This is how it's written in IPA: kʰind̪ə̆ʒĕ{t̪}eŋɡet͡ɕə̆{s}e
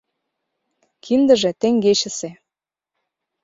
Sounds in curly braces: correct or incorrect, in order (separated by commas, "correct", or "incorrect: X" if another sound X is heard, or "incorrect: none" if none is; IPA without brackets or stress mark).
correct, correct